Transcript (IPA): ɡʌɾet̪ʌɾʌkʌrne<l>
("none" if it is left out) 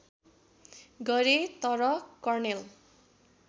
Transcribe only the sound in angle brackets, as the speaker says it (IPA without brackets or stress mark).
l